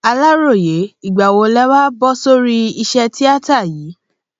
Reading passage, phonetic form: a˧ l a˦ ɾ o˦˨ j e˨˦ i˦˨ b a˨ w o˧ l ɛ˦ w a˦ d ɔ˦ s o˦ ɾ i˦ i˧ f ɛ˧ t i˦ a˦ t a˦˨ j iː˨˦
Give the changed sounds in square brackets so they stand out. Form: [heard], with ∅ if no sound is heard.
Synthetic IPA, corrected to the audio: a˧ l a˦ ɾ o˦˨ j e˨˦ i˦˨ [ɡ͡b] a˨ w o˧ l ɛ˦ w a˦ [b] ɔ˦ s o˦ ɾ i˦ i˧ [ʃ] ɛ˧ t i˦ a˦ t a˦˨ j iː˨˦